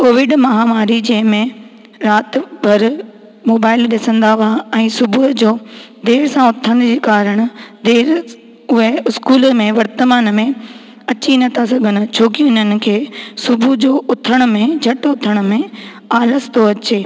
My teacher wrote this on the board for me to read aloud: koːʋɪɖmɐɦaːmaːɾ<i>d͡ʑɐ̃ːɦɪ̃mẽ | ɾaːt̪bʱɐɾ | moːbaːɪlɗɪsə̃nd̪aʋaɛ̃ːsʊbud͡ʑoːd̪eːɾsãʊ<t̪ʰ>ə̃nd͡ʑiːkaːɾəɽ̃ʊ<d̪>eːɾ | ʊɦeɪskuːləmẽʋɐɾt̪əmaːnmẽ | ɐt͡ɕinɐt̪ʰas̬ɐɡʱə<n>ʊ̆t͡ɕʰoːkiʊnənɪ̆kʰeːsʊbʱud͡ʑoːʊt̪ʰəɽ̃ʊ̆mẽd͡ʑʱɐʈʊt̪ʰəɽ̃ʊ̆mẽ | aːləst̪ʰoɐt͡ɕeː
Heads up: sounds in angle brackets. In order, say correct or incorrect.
correct, correct, correct, correct

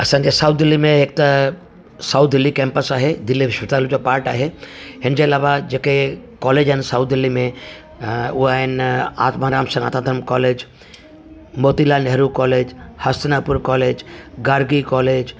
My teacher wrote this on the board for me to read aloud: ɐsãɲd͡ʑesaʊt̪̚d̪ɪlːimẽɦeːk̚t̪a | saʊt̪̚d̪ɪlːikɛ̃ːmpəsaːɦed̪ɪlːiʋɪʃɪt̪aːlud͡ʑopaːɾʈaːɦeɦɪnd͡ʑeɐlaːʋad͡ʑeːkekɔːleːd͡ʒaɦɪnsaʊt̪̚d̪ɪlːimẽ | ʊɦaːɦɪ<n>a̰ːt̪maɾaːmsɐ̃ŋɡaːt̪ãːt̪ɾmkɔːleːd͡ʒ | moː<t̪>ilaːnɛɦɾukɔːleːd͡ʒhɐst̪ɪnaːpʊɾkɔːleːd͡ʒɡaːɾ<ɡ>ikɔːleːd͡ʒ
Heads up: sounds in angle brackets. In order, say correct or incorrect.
correct, correct, correct

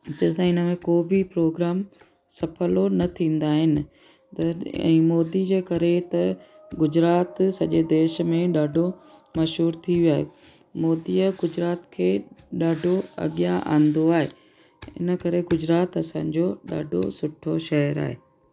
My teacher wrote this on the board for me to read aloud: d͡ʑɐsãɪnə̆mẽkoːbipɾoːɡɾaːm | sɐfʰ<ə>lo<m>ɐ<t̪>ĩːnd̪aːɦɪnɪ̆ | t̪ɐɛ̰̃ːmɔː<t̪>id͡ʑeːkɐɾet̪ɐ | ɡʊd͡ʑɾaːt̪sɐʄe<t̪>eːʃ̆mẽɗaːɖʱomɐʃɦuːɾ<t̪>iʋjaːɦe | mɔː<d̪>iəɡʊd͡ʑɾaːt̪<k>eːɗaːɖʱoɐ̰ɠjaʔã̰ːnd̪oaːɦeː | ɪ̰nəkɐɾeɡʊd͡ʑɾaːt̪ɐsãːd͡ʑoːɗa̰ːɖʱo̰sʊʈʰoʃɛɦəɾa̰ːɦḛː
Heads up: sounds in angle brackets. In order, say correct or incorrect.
correct, incorrect, incorrect, incorrect, incorrect, incorrect, correct, incorrect

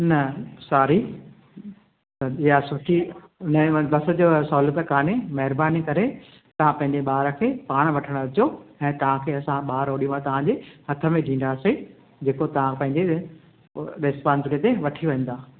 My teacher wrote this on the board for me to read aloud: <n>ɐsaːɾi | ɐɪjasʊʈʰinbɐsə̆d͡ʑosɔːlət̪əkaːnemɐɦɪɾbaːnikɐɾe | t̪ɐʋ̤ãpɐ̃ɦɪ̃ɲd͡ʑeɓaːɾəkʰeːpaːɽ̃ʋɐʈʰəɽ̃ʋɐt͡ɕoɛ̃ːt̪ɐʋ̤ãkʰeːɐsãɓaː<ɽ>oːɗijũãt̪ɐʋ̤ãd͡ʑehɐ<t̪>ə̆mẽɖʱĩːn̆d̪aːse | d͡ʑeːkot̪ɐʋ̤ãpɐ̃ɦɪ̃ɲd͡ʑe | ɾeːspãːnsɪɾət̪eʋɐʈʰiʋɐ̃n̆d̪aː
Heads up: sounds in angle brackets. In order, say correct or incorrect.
correct, incorrect, incorrect

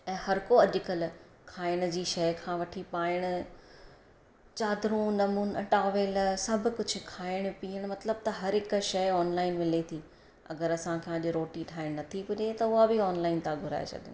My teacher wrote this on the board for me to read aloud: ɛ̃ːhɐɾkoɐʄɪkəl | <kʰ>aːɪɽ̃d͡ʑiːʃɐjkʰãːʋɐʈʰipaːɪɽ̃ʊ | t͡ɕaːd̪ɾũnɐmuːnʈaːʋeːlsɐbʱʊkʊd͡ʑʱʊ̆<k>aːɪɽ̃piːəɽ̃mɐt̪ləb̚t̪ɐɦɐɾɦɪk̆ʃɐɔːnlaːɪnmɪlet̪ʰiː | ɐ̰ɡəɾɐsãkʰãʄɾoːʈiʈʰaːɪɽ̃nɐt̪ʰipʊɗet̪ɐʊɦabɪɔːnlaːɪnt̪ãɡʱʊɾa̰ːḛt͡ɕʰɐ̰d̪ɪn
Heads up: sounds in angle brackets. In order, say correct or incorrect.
correct, incorrect

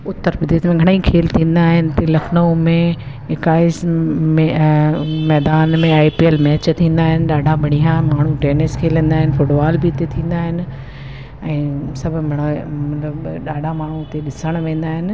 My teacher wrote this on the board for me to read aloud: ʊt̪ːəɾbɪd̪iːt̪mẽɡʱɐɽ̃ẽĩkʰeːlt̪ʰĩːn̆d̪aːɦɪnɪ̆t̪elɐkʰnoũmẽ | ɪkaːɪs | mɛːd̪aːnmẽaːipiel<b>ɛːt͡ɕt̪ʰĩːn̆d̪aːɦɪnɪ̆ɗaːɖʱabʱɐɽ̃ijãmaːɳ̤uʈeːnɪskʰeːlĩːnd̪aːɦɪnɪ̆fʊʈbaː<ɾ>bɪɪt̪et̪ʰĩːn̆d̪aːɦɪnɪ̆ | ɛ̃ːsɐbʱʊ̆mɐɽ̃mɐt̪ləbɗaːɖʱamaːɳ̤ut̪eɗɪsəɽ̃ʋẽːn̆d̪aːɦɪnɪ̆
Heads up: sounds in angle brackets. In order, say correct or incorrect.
incorrect, incorrect

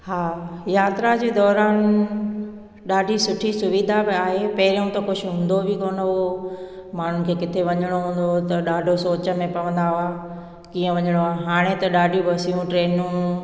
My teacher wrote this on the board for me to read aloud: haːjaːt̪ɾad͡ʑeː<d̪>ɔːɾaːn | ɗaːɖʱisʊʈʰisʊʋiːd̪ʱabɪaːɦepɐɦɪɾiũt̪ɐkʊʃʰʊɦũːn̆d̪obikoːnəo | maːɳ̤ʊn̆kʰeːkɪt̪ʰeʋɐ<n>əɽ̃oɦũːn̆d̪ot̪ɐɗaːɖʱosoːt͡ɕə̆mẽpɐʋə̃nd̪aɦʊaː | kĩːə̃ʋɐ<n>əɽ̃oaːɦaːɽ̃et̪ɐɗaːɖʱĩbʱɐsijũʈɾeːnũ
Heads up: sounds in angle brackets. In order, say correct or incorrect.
correct, incorrect, incorrect

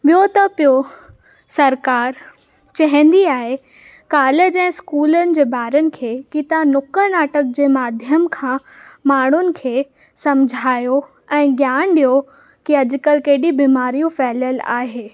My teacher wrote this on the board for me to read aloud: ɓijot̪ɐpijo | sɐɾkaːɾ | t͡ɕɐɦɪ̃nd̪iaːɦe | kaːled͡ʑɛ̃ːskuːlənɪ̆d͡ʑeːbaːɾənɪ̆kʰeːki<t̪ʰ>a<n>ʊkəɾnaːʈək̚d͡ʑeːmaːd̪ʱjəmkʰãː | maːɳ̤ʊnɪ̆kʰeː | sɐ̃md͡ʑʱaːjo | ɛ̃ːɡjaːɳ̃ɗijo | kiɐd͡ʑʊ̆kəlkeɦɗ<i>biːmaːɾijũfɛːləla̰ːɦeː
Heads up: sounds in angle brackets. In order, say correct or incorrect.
incorrect, correct, correct

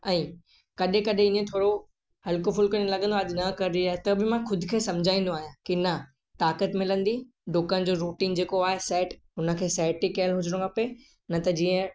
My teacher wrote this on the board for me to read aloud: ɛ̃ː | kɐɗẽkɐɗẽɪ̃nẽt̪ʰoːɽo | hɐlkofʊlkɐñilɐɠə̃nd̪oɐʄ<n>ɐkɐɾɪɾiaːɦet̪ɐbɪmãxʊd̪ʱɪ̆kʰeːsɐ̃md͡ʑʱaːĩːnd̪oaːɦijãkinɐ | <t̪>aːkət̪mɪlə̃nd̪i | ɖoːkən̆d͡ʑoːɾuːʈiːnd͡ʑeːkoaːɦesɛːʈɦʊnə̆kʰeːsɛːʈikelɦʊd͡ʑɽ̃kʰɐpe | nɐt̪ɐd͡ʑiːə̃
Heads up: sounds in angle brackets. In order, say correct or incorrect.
correct, correct

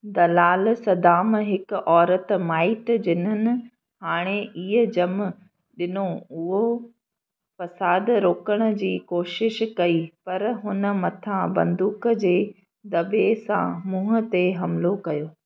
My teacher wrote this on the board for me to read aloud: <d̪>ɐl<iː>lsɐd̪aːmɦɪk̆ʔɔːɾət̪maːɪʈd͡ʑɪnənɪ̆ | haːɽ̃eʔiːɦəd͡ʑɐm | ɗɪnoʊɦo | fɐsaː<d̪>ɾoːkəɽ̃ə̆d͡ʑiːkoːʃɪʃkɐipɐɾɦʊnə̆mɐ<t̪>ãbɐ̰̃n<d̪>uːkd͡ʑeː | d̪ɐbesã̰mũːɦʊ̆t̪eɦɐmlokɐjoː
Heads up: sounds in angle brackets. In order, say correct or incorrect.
correct, incorrect, correct, incorrect, correct

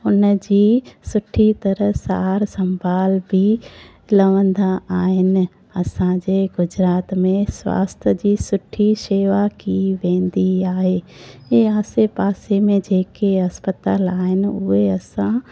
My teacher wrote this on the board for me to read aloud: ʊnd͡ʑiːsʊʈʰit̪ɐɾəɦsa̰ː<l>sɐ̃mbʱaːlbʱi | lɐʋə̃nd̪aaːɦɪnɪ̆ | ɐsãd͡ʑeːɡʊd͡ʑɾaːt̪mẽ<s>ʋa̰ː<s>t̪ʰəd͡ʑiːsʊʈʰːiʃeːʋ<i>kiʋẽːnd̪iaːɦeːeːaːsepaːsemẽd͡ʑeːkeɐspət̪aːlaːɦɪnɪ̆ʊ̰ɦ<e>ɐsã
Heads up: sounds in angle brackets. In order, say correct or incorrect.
incorrect, correct, correct, incorrect, correct

